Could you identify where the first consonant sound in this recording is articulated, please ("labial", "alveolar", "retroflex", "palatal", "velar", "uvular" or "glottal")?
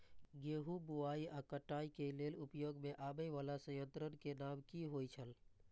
velar